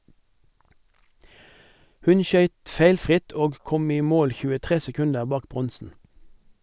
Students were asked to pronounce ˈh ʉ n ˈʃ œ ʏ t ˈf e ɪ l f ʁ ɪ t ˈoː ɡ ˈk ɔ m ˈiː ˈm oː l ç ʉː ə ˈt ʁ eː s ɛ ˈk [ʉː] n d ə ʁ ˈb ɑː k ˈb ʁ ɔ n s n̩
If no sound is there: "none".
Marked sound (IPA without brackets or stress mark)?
ʉ